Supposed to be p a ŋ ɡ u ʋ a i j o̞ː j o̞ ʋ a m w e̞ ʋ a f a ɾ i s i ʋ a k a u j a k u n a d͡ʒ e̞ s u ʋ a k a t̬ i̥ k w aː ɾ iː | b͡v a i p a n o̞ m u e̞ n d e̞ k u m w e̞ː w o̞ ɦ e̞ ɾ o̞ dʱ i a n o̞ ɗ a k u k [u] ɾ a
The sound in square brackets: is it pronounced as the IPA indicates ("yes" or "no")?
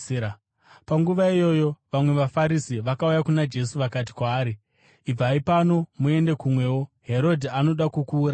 no